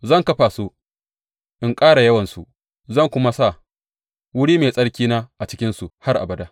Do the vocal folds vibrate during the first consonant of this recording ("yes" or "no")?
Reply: yes